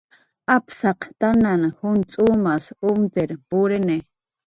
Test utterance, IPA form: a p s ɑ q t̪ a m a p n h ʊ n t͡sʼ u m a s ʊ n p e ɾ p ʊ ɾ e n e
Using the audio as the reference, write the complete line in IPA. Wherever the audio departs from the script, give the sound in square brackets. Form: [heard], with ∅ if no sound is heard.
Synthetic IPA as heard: a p s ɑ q t̪ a [n] a [∅] n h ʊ n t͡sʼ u m a s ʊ [m] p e ɾ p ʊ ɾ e n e